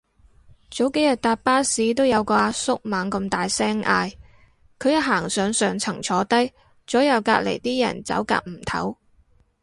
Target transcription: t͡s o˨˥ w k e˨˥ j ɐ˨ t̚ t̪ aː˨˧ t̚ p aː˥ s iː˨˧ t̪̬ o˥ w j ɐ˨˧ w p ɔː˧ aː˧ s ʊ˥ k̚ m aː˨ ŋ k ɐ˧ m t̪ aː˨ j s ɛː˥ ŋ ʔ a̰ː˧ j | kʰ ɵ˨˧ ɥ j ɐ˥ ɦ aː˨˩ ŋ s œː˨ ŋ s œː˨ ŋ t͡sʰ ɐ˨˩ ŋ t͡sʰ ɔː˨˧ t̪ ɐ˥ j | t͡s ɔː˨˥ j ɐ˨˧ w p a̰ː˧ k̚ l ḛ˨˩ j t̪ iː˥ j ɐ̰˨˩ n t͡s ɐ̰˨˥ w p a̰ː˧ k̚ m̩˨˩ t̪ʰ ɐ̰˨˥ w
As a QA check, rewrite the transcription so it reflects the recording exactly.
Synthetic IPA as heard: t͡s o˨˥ w k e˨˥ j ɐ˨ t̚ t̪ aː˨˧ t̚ p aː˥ s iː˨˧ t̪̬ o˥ w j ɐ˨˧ w k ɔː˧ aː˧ s ʊ˥ k̚ m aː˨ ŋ k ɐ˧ m t̪ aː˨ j s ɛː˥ ŋ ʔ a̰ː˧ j | kʰ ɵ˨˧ ɥ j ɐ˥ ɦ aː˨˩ ŋ s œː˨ ŋ s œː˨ ŋ t͡sʰ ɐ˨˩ ŋ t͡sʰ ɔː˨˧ t̪ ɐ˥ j | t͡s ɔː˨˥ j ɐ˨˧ w k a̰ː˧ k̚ l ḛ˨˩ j t̪ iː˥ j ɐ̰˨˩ n t͡s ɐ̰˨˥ w k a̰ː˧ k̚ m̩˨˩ t̪ʰ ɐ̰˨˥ w